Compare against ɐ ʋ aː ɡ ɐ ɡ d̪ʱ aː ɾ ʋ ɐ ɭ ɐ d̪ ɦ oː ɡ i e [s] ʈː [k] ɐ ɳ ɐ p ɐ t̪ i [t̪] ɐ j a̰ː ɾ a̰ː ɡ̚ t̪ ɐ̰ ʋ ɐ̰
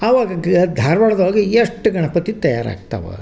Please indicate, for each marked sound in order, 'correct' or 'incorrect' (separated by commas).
incorrect, incorrect, correct